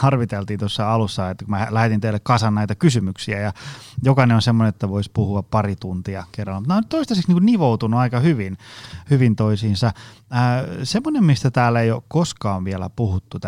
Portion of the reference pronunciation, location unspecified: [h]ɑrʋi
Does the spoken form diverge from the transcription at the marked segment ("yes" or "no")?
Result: no